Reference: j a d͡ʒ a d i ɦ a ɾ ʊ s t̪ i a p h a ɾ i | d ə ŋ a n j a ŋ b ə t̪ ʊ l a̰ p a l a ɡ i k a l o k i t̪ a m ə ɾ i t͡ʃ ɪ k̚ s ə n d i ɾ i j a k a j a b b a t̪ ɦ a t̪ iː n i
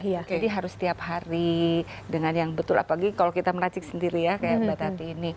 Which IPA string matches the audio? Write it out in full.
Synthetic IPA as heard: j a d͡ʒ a d i ɦ a ɾ ʊ s t̪ i a p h a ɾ i | d ə ŋ a n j a ŋ b ə t̪ ʊ l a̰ p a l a ɡ i k a l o k i t̪ a m ə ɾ a t͡ʃ ɪ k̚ s ə n d i ɾ i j a k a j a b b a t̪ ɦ a t̪ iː n i